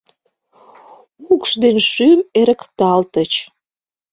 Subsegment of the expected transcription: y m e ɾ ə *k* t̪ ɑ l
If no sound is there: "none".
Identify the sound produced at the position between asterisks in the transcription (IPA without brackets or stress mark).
k